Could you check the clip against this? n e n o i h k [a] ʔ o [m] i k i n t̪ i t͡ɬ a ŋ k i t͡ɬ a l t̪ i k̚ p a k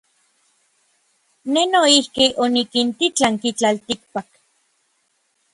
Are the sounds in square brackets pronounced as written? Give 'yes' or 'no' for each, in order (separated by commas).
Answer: no, no